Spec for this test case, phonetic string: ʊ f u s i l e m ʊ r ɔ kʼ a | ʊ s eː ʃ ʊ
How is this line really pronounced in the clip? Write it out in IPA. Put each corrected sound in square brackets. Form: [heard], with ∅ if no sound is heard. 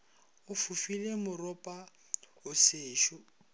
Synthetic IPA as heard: ʊ f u [f] i l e m ʊ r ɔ [pʼ] a | ʊ s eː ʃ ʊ